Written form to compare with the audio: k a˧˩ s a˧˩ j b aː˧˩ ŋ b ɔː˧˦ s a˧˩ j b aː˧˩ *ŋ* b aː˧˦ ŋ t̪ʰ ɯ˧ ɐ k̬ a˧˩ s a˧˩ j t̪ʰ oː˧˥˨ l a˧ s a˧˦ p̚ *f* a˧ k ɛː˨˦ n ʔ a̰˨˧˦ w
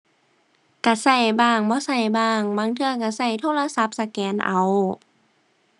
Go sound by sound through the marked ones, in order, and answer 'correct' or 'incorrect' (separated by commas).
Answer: correct, incorrect